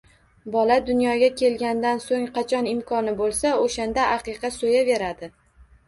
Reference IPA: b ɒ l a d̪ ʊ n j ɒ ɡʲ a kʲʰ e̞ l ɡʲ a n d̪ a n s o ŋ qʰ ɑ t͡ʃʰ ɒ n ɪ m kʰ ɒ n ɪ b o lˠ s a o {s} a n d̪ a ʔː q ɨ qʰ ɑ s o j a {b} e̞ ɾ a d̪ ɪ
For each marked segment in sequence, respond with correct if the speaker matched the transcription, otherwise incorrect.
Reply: incorrect: ʃ, incorrect: v

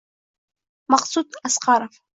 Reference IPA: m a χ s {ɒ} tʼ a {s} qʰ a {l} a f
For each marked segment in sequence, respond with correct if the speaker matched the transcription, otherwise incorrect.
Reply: incorrect: u, correct, incorrect: ɾ

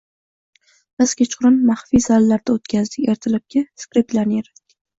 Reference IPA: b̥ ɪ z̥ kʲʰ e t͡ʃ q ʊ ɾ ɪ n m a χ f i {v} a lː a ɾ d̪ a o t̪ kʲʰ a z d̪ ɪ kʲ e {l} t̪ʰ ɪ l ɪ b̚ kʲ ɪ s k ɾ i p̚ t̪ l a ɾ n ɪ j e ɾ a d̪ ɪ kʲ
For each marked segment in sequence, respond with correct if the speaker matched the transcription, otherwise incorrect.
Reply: incorrect: z, incorrect: ɾ

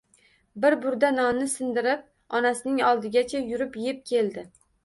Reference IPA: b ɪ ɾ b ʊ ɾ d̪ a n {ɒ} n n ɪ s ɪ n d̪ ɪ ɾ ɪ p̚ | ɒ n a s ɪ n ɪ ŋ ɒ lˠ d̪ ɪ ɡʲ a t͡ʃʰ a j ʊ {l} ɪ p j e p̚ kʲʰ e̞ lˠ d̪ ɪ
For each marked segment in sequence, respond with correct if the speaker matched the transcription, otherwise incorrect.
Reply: correct, incorrect: ɾ

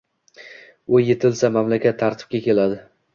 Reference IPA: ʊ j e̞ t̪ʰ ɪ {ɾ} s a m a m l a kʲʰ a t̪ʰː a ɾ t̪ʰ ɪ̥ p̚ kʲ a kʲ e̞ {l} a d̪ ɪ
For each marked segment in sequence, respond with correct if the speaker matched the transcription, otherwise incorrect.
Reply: incorrect: l, correct

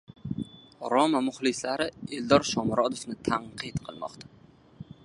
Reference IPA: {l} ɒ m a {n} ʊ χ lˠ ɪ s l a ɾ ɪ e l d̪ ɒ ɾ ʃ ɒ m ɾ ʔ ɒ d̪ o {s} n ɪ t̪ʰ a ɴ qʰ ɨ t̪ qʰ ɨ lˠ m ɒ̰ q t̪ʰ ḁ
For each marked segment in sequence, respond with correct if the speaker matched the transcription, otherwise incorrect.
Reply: incorrect: ɾ, incorrect: m, incorrect: f

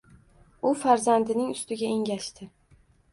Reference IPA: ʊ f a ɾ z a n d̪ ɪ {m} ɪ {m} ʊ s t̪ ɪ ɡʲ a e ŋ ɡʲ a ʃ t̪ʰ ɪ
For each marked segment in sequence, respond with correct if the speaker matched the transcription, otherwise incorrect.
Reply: incorrect: n, incorrect: ŋ

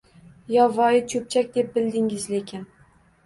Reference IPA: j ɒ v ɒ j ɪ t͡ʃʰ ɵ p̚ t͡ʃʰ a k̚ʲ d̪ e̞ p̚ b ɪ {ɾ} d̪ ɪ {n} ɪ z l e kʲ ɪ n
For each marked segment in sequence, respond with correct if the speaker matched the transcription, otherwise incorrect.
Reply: incorrect: l, incorrect: ŋ

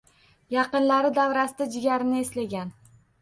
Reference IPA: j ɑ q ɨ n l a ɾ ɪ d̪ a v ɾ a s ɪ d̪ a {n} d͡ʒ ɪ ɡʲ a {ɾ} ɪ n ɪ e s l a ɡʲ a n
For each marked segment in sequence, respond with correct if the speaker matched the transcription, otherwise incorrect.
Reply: incorrect: none, correct

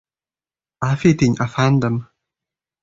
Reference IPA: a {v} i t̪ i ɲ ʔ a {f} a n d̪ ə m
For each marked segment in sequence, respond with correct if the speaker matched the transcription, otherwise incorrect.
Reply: incorrect: f, correct

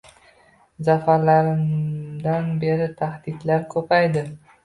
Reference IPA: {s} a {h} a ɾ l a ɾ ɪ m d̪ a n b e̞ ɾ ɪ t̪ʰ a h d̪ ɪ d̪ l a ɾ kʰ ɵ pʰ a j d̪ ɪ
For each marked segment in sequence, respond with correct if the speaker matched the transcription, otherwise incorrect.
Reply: incorrect: z, incorrect: f

